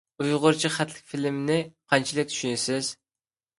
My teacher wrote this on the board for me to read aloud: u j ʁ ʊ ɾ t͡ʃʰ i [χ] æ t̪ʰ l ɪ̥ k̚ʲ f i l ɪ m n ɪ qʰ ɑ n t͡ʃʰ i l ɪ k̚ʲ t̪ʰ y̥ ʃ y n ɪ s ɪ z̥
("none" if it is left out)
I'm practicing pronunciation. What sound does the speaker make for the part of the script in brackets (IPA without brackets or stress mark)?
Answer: χ